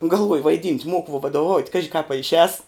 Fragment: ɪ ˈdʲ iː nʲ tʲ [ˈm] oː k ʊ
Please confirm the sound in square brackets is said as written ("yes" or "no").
yes